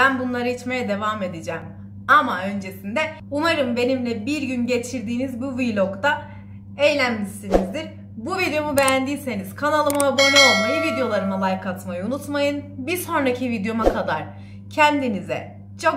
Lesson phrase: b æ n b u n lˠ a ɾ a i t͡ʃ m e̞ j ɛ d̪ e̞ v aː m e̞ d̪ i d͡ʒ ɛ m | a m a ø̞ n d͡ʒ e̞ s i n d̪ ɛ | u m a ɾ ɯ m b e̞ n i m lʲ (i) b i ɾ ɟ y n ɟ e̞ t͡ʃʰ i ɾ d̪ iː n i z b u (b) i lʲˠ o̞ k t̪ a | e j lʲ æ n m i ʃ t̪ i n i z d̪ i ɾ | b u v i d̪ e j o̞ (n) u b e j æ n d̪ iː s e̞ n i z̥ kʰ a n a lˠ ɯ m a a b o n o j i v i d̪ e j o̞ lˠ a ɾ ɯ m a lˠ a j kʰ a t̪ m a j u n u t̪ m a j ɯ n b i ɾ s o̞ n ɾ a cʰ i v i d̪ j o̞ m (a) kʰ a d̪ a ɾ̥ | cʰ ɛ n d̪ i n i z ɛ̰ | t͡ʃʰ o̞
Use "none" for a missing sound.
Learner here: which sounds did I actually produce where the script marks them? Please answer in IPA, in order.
ɛ, v, m, a

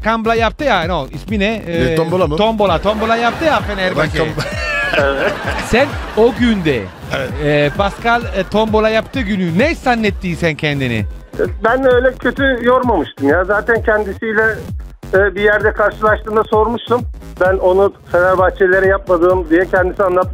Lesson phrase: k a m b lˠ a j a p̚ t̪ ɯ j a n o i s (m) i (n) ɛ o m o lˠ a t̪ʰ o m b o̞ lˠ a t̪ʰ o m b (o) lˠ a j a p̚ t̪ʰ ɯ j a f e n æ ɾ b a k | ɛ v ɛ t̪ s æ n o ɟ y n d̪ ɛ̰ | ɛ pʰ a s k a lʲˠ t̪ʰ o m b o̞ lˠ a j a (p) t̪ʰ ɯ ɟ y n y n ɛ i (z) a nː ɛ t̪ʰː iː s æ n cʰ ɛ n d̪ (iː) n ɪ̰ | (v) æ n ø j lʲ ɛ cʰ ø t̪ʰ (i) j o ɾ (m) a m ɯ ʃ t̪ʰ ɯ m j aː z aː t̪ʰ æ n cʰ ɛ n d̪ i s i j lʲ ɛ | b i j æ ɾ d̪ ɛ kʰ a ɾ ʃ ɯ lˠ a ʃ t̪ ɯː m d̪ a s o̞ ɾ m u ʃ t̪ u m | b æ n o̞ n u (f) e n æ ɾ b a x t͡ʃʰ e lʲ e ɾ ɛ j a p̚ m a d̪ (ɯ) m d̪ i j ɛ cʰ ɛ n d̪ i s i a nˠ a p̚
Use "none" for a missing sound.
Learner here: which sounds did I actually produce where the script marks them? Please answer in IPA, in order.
m, n, o, p, s, i, b, y, m, f, ɯː

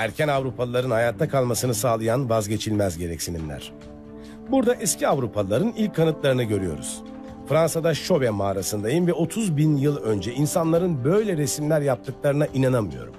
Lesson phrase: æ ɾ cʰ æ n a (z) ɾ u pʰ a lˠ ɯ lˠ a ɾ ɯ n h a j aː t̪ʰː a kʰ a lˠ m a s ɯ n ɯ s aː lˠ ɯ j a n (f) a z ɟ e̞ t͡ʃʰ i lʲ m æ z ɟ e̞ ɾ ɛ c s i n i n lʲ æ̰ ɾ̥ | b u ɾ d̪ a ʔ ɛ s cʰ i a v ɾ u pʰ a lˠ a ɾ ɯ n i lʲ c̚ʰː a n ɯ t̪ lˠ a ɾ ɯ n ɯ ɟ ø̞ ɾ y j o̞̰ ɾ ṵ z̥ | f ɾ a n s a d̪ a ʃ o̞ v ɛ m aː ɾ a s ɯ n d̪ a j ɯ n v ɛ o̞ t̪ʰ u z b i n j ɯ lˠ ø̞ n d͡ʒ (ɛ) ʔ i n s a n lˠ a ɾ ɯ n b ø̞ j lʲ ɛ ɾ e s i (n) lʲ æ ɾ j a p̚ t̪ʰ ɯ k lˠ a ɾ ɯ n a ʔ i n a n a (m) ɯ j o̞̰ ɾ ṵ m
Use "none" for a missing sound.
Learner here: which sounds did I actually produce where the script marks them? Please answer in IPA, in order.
v, v, ɛ, m, m

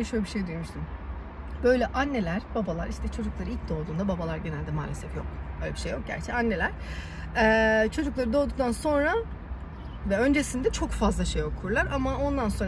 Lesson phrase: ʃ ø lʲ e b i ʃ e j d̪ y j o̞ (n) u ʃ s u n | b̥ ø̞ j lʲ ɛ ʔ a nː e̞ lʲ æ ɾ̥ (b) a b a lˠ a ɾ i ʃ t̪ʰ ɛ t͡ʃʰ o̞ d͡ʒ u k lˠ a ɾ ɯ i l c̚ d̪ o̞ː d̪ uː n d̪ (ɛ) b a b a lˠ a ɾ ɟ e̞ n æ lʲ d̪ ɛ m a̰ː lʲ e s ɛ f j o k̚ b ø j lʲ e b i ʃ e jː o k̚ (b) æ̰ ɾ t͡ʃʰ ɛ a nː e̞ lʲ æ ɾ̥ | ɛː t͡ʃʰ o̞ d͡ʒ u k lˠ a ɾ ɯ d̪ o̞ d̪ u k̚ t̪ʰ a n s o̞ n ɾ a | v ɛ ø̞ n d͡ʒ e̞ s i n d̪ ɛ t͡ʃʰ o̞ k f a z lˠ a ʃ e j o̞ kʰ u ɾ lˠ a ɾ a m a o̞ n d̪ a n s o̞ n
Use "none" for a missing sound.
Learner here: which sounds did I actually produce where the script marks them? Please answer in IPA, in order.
m, b, a, ɟ

